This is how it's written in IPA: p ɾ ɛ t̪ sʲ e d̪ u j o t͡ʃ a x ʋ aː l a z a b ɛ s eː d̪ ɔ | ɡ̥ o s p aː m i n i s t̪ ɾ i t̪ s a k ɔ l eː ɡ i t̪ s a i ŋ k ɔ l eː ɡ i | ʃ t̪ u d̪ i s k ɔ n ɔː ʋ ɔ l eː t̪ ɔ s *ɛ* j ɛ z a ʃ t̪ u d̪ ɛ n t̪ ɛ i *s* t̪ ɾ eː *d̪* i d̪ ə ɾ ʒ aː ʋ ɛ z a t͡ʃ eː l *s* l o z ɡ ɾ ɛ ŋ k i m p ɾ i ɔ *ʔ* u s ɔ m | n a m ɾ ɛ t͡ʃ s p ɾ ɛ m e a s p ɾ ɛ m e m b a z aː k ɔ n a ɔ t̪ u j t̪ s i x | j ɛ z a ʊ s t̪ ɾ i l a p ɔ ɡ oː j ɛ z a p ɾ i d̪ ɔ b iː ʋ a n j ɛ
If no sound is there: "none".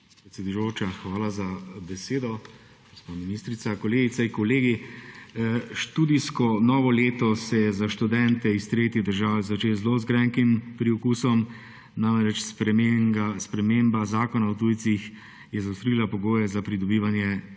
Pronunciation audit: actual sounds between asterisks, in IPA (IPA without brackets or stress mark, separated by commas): ɛ, s, t̪, z, k